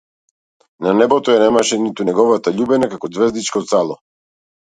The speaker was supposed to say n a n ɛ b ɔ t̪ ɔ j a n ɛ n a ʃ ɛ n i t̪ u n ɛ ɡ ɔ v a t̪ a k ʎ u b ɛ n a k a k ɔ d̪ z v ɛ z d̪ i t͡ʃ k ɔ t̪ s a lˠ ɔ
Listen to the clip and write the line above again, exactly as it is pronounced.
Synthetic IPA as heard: n a n ɛ b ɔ t̪ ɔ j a n ɛ m a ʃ ɛ n i t̪ u n ɛ ɡ ɔ v a t̪ a ʎ u b ɛ n a k a k ɔ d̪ z v ɛ z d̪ i t͡ʃ k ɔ t̪ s a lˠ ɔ

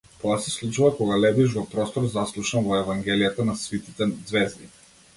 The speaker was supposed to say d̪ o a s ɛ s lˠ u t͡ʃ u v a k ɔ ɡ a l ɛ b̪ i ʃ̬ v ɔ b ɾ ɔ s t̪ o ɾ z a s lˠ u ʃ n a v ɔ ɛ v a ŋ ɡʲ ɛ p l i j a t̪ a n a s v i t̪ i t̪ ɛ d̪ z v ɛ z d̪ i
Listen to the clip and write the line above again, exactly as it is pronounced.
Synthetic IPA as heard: t̪ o a s ɛ s lˠ u t͡ʃ u v a k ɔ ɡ a l ɛ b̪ i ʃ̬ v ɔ p ɾ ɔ s t̪ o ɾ z a s lˠ u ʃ n a v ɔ ɛ v a ŋ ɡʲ ɛ l i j a t̪ a n a s v i t̪ i t̪ ɛ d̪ z v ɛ z d̪ i

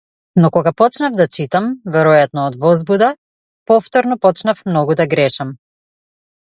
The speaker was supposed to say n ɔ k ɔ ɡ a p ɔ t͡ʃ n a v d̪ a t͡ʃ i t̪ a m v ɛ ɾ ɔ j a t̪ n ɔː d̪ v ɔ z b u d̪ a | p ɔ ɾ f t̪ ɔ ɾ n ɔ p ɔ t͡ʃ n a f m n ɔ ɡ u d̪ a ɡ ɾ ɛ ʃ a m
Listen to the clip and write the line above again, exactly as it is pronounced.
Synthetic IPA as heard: n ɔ k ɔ ɡ a p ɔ t͡ʃ n a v d̪ a t͡ʃ i t̪ a m v ɛ ɾ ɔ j a t̪ n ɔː d̪ v ɔ z b u d̪ a | p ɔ f t̪ ɔ ɾ n ɔ p ɔ t͡ʃ n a f m n ɔ ɡ u d̪ a ɡ ɾ ɛ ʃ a m

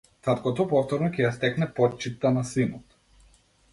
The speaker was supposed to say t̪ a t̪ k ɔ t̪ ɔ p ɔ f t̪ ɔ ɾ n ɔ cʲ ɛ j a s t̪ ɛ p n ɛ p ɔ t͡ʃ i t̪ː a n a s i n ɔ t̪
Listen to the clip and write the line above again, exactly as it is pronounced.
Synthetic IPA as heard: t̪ a t̪ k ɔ t̪ ɔ p ɔ f t̪ ɔ ɾ n ɔ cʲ ɛ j a s t̪ ɛ k n ɛ p ɔ t͡ʃ i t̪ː a n a s i n ɔ t̪

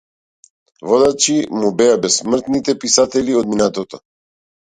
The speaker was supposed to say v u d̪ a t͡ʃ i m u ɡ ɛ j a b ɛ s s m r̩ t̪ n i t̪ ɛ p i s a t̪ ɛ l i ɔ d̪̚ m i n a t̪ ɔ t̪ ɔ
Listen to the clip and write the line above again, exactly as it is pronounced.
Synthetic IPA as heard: v ɔ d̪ a t͡ʃ i m u b ɛ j a b ɛ s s m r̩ t̪ n i t̪ ɛ p i s a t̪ ɛ l i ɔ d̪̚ m i n a t̪ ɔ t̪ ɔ

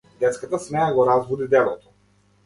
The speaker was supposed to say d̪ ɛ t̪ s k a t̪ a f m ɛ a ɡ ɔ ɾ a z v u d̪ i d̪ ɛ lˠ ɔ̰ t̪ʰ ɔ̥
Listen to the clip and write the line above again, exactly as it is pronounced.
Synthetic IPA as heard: d̪ ɛ t̪ s k a t̪ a s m ɛ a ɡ ɔ ɾ a z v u d̪ i d̪ ɛ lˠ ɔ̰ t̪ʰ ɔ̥

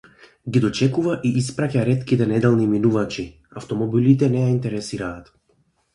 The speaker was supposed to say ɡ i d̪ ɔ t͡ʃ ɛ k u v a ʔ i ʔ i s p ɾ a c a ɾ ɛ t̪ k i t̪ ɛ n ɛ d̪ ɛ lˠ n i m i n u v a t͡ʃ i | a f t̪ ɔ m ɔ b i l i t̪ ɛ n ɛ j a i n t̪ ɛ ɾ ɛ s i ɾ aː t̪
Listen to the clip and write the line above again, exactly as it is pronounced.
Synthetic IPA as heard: ɡ i d̪ ɔ t͡ʃ ɛ k u v a ʔ i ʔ i s p ɾ a c a ɾ ɛ t̪ k i t̪ ɛ n ɛ d̪ ɛ lˠ n i m i n u v a t͡ʃ i | a f t̪ ɔ m ɔ b i l i t̪ ɛ n ɛ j a i n t̪ ɛ ɾ ɛ s i ɾ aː t̪

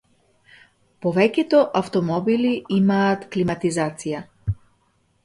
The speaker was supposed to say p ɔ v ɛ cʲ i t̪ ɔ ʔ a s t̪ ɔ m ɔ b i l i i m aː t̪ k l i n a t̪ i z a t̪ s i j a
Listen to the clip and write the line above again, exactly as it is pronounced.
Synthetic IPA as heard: p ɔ v ɛ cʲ ɛ t̪ ɔ ʔ a f t̪ ɔ m ɔ b i l i i m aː t̪ k l i m a t̪ i z a t̪ s i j a

